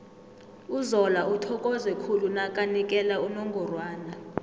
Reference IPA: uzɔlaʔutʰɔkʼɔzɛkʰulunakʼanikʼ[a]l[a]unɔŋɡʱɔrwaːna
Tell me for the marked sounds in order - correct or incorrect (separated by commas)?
incorrect, correct